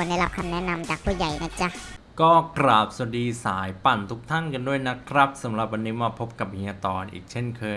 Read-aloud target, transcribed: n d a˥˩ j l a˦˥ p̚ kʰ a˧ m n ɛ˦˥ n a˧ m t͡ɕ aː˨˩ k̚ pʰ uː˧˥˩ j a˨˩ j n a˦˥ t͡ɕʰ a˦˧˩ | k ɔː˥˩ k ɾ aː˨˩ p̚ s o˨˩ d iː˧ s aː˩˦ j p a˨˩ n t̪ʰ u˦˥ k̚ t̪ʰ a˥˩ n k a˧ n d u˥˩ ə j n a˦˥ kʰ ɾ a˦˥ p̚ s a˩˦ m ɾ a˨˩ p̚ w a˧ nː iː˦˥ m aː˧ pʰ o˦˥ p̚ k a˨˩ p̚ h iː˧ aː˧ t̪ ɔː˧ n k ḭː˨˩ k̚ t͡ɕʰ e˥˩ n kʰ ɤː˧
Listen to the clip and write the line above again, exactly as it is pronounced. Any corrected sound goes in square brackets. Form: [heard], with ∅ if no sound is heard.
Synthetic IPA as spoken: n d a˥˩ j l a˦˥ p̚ kʰ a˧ m n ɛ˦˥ n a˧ m t͡ɕ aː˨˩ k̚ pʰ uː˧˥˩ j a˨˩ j n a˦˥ [t͡ɕ] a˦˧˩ | k ɔː˥˩ k ɾ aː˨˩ p̚ s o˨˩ d iː˧ s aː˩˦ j p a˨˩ n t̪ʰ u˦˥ k̚ t̪ʰ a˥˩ n k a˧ n d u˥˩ ə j n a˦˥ kʰ ɾ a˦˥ p̚ s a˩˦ m ɾ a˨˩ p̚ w a˧ nː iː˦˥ m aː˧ pʰ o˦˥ p̚ k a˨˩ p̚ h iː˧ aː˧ t̪ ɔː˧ n [ʔ] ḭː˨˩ k̚ t͡ɕʰ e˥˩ n kʰ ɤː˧